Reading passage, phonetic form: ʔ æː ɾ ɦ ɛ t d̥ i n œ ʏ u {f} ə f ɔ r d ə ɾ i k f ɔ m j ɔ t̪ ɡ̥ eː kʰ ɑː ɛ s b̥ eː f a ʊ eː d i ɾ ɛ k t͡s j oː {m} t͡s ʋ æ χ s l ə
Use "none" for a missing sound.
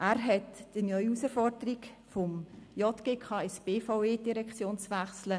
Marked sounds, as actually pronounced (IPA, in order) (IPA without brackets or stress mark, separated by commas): s, n